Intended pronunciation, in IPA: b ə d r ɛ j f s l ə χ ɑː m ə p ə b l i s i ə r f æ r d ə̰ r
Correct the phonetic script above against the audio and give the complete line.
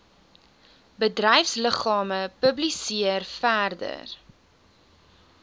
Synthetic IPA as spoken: b ə d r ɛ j f s l ə χ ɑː m ə p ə b l i s i ə r f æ r d ə̰ r